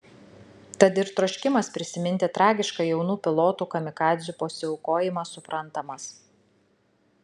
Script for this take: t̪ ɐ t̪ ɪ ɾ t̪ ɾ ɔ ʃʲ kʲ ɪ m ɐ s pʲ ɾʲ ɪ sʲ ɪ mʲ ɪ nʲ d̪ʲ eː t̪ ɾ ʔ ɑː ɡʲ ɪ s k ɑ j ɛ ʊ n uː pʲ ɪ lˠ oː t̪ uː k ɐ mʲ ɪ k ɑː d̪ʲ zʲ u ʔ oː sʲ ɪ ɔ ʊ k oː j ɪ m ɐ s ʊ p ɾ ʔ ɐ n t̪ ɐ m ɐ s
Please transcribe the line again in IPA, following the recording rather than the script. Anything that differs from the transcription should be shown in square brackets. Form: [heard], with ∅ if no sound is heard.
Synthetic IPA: t̪ ɐ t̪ ɪ ɾ t̪ ɾ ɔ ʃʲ kʲ ɪ m ɐ s pʲ ɾʲ ɪ sʲ ɪ mʲ ɪ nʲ [t̪ʲ] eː t̪ ɾ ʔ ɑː ɡʲ ɪ [ʃ] k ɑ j ɛ ʊ n uː pʲ ɪ lˠ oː t̪ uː k ɐ mʲ ɪ k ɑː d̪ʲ zʲ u [p] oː sʲ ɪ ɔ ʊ k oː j ɪ m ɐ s ʊ p ɾ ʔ ɐ n t̪ ɐ m ɐ s